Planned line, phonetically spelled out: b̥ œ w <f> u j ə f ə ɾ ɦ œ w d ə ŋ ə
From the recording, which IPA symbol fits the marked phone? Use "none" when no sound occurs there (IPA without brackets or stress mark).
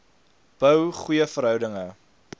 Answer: χ